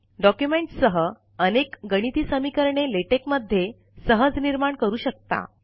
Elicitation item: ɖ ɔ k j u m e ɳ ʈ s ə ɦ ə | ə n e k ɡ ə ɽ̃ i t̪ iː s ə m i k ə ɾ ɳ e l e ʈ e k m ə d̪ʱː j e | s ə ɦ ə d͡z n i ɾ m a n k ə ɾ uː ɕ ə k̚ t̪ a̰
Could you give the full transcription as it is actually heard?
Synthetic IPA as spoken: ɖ ɔ k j u m e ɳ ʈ s ə ɦ ə | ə n e k ɡ ə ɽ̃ i t̪ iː s ə m i k ə ɾ ɳ e l e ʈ e k m ə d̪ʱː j e | s ə ɦ ə d͡z n i ɾ m a ɳ k ə ɾ uː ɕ ə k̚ t̪ a̰